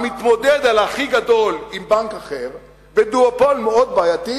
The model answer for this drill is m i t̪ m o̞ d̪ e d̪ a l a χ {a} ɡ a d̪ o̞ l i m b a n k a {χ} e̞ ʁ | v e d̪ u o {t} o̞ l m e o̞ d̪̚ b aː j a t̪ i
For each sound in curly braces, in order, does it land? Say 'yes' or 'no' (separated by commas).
no, yes, no